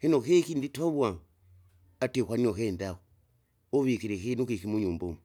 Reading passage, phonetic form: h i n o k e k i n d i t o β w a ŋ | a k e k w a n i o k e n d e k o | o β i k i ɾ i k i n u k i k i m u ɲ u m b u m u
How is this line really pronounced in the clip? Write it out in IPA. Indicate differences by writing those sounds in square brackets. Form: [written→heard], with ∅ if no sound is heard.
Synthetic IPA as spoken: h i n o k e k i n d i t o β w a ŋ | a [k→t] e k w a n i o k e n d [e→a] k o | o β i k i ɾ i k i n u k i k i m u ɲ u m b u m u